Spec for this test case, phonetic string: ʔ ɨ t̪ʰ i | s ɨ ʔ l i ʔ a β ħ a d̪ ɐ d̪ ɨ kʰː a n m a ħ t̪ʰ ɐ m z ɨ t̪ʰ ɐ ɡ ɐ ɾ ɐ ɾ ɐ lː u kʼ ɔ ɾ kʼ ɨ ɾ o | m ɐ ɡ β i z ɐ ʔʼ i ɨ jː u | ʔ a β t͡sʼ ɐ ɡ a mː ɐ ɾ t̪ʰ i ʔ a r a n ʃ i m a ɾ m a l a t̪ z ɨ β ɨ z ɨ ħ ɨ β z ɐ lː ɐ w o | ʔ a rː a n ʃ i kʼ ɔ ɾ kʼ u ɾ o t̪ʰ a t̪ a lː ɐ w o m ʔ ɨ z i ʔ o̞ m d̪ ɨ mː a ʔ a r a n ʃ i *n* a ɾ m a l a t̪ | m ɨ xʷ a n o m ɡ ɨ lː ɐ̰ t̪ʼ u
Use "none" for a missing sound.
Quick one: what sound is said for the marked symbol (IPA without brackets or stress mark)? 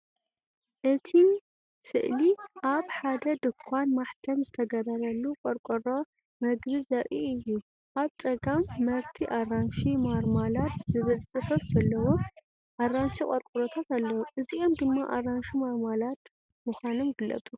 m